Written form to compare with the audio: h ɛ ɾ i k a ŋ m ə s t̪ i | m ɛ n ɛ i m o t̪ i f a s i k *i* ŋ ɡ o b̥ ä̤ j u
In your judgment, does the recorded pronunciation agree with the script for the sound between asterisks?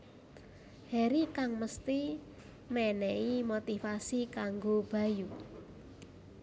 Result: no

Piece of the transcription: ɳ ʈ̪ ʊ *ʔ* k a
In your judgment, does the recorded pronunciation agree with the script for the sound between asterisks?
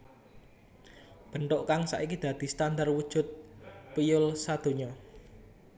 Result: yes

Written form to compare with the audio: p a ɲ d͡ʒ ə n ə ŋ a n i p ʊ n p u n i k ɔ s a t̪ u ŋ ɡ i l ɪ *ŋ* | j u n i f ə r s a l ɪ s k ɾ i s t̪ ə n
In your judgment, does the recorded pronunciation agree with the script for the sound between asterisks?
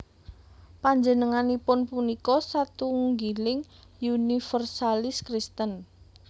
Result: yes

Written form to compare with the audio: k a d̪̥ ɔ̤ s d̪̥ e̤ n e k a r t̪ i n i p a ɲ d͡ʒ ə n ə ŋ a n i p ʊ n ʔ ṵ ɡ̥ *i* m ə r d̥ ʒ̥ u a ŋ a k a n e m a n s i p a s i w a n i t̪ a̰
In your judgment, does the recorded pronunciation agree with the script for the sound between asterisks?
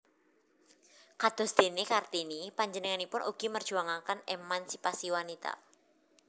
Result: yes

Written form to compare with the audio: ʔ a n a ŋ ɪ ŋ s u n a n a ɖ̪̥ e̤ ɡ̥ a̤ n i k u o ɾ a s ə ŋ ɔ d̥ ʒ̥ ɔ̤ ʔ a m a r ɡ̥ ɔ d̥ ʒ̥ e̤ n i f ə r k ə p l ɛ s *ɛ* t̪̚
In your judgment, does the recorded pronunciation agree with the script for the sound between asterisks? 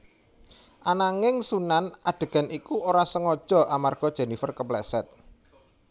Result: yes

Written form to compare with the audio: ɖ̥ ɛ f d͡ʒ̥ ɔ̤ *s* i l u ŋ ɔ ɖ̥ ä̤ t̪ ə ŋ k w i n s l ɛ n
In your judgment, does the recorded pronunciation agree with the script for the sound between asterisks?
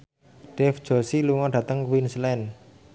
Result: yes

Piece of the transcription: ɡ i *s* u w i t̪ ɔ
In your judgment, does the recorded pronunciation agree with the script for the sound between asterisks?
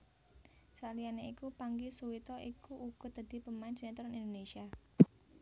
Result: yes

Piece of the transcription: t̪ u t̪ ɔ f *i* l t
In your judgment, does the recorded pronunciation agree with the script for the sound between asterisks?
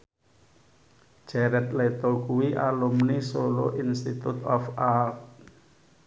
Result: no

